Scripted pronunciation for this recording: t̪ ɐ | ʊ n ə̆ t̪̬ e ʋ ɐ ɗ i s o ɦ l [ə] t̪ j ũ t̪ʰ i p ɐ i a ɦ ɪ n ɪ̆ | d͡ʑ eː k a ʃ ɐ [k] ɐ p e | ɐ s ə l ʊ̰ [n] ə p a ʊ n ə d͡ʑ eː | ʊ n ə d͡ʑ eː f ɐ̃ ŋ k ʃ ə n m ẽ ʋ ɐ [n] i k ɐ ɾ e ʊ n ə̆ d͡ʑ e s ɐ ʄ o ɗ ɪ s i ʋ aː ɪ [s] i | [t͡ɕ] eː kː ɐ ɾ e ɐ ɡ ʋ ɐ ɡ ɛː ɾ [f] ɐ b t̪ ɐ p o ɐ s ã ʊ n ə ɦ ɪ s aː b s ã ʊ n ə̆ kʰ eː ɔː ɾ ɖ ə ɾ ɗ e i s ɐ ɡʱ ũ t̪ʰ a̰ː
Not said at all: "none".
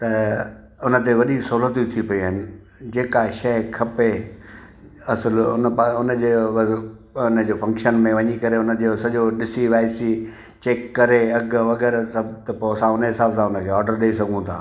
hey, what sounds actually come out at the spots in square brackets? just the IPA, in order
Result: ə, kʰ, n, ɲ, s, t͡ɕ, s

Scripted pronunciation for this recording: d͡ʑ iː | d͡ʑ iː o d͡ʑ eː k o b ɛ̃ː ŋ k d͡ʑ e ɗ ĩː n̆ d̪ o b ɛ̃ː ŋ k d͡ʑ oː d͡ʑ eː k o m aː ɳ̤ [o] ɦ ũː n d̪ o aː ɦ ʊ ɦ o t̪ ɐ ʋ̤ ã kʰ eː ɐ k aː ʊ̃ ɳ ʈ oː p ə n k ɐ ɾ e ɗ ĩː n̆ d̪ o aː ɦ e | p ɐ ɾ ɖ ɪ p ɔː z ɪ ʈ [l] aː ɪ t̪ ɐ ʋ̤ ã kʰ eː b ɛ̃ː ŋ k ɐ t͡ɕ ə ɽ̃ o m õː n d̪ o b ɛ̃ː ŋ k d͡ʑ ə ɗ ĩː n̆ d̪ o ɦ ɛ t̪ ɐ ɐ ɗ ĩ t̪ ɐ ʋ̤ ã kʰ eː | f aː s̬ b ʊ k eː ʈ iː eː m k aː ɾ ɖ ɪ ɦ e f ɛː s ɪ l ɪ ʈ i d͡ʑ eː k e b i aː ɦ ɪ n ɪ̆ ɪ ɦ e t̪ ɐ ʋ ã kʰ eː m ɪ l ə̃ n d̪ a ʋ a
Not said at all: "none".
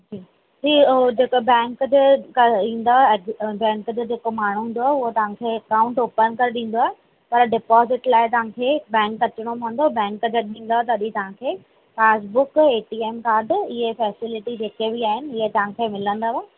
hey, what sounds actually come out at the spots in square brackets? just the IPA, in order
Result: u, l

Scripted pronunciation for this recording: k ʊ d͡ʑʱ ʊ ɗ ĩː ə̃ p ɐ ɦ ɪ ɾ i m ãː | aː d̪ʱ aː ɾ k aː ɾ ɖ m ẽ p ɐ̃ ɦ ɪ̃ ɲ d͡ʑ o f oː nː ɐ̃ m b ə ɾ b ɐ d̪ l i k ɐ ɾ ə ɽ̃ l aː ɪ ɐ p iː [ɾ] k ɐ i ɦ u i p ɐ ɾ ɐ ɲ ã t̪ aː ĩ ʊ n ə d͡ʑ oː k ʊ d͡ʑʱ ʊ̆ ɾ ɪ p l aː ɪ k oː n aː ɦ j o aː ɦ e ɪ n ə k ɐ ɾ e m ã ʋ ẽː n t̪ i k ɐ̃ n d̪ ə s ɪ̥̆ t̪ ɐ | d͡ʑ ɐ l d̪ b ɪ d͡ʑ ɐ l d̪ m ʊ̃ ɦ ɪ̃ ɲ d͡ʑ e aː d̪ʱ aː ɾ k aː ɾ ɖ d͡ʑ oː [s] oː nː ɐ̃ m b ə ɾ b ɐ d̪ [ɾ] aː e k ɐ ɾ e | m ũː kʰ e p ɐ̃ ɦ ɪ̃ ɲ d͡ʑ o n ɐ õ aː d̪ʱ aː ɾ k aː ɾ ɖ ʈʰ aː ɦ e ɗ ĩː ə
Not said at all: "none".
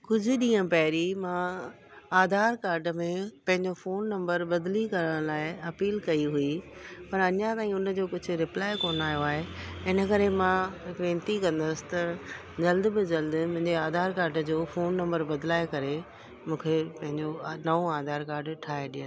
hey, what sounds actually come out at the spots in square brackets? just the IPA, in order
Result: l, f, l

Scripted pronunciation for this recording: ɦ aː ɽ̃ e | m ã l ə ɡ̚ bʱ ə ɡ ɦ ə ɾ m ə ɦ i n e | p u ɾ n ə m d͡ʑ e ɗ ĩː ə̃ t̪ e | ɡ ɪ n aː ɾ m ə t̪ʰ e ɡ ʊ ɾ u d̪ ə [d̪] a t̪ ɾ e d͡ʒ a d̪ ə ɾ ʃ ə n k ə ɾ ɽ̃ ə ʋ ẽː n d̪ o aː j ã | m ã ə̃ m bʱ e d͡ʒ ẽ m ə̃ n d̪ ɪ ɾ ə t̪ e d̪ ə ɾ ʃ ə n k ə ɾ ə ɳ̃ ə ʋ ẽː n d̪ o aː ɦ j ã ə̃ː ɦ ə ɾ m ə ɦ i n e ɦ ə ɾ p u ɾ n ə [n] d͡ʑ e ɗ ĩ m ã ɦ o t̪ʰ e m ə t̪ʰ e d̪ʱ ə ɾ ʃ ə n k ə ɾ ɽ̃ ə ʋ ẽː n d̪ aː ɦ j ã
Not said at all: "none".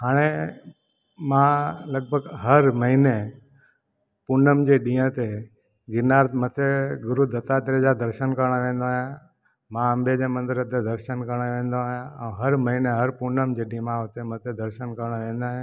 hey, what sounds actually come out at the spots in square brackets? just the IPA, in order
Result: t̪, m

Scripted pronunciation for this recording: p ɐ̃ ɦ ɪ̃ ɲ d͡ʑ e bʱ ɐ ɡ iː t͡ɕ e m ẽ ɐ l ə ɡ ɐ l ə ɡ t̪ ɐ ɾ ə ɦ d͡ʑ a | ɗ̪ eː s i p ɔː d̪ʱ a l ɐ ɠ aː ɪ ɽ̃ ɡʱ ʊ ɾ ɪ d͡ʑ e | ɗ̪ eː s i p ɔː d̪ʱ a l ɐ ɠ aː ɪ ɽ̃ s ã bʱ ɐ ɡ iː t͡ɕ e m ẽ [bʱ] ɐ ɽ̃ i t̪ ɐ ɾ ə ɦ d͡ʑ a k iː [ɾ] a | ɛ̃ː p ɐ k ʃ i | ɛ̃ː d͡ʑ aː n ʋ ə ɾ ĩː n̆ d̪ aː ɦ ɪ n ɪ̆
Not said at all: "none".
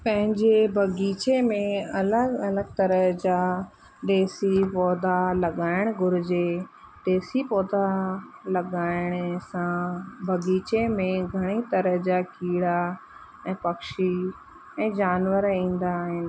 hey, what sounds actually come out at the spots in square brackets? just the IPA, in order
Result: ɡʱ, ɽ

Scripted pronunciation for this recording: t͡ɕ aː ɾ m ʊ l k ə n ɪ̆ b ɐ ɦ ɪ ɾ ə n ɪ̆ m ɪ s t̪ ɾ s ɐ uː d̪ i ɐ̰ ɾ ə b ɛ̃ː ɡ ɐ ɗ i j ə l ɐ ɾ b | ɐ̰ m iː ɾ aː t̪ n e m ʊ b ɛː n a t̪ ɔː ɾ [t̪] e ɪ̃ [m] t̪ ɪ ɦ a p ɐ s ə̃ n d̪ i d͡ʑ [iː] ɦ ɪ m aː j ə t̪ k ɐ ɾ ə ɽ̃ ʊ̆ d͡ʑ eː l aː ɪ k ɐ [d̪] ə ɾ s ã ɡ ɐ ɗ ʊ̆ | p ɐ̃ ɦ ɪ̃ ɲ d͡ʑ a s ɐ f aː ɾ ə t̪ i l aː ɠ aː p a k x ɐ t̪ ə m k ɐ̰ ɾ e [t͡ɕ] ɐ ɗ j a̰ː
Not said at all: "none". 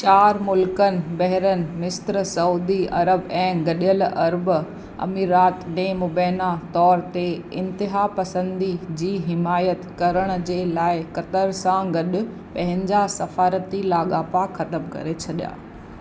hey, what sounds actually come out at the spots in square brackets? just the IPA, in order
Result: t̪, n, iː, t̪, t͡ɕʰ

